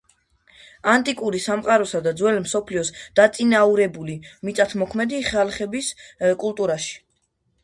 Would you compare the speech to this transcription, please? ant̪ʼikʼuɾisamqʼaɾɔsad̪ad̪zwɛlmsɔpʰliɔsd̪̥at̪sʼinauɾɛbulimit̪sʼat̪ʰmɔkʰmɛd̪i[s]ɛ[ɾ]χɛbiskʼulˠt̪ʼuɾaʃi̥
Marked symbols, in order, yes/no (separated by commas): no, no